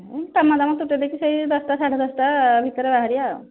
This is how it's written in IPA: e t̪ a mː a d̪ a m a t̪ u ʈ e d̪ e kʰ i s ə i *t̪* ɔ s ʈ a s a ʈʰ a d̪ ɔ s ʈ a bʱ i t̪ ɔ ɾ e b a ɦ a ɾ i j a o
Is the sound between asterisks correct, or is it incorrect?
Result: incorrect